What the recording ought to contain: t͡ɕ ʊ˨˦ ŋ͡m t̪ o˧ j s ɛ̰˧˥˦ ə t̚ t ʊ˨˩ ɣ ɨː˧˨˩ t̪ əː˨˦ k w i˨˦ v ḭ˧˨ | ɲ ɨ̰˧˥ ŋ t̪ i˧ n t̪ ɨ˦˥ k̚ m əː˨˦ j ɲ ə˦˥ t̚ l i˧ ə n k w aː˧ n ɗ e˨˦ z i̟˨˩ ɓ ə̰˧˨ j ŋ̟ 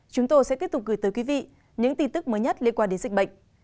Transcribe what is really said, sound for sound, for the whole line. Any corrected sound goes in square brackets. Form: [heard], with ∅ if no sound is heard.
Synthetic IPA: t͡ɕ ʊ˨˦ ŋ͡m t̪ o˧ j s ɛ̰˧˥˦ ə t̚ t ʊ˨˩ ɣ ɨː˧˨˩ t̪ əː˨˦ k w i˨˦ v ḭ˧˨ | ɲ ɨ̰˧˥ ŋ t̪ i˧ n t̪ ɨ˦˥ k̚ m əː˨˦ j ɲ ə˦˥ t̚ l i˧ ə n k w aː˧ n ɗ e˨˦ z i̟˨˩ ɓ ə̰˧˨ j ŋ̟